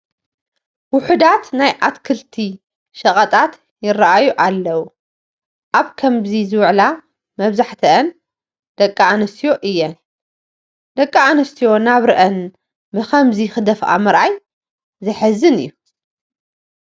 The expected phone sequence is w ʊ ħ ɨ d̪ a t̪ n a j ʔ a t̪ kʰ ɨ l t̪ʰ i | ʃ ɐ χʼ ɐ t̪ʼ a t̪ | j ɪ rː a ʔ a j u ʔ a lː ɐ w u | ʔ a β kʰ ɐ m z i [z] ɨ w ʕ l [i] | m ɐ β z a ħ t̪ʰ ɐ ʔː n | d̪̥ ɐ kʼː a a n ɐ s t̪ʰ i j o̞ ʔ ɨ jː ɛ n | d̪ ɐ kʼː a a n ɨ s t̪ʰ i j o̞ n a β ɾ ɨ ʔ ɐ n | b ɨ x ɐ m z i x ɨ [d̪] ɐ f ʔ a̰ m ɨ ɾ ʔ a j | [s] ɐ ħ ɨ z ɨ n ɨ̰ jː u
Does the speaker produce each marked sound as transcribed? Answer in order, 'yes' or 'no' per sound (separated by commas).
yes, no, yes, no